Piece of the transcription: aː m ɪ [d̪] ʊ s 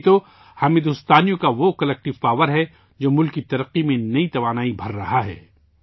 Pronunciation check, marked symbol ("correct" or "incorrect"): correct